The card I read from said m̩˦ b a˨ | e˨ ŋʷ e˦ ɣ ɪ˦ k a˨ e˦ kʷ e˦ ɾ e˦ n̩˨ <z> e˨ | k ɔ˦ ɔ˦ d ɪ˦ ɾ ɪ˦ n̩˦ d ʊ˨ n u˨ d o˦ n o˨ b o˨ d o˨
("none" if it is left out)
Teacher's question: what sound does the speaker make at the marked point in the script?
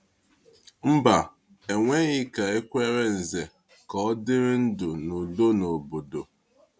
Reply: z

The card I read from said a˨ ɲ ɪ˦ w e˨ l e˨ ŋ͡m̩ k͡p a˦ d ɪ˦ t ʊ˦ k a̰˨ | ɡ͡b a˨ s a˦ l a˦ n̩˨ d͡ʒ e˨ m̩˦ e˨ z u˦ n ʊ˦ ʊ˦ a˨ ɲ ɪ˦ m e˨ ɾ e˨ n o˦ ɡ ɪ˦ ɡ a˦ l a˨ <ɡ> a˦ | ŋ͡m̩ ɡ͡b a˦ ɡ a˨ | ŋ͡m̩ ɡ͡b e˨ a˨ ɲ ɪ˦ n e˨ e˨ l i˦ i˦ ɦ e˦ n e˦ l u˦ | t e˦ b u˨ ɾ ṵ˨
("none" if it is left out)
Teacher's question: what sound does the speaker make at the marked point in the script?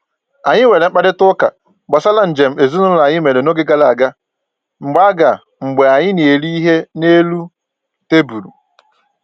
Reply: ɡ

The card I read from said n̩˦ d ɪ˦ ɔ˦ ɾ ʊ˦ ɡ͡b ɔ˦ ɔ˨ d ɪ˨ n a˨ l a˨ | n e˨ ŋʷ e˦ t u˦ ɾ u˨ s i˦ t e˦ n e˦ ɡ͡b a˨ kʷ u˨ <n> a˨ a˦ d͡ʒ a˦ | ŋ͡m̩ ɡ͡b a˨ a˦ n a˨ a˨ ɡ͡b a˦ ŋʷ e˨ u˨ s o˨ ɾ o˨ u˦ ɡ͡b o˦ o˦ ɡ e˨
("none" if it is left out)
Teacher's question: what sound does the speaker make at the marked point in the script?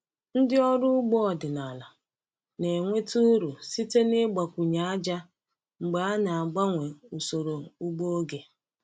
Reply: ɲ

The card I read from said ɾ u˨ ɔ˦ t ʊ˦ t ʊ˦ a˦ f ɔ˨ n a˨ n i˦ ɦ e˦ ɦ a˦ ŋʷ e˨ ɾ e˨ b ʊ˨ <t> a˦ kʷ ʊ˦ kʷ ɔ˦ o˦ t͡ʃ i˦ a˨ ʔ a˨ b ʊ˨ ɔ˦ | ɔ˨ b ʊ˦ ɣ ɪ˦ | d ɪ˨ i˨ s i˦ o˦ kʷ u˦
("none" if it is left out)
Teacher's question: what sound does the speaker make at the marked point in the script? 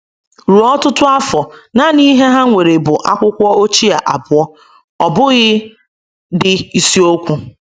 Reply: ʔ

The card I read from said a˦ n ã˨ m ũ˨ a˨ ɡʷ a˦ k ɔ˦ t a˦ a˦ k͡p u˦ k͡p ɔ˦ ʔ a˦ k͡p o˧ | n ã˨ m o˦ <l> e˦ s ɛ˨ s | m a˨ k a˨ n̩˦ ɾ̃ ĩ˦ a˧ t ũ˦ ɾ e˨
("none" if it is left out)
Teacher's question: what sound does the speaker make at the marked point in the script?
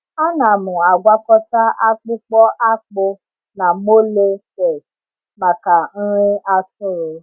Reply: l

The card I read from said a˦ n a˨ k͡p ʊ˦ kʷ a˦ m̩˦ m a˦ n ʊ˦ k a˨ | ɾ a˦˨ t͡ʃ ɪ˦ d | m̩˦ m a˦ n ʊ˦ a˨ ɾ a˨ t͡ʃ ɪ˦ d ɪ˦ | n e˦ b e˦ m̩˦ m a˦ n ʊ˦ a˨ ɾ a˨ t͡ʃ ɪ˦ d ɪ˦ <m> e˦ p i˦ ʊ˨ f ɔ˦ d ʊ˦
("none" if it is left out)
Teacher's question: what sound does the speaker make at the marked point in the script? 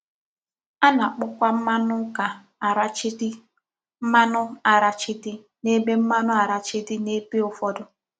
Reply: n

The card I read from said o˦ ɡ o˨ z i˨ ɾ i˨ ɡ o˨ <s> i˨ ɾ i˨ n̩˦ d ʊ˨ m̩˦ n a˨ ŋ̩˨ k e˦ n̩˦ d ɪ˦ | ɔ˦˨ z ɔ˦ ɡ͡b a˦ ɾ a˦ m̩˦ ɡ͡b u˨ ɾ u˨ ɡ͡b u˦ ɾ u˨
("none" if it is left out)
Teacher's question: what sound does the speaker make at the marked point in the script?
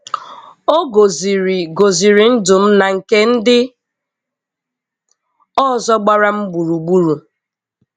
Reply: z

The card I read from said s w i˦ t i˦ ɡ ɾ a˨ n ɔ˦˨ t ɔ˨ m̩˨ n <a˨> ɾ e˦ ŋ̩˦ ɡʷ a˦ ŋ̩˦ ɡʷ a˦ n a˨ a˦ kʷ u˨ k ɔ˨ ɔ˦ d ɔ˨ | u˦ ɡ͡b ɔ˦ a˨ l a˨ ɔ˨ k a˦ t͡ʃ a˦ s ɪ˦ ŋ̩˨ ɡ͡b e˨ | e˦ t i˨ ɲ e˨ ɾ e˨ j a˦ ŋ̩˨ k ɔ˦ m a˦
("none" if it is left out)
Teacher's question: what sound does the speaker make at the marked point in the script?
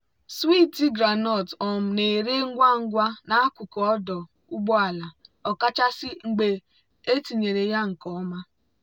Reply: e˨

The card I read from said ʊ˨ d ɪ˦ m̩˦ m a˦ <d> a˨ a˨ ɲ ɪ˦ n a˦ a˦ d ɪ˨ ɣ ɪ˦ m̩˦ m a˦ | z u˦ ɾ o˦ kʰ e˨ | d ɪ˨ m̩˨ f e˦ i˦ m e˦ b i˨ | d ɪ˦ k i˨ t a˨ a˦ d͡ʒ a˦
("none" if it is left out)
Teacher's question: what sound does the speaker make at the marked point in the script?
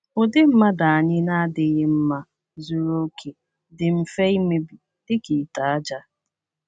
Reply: d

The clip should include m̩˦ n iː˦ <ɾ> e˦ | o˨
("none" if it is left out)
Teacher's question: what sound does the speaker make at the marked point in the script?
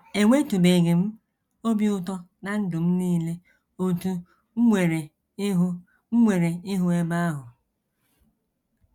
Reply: l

